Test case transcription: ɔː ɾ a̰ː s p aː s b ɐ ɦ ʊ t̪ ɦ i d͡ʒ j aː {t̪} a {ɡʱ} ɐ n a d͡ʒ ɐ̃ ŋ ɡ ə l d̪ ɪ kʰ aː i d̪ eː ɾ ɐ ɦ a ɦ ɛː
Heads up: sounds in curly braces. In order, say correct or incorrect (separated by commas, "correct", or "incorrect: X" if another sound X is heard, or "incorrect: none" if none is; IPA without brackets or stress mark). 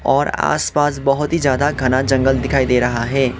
incorrect: d̪, correct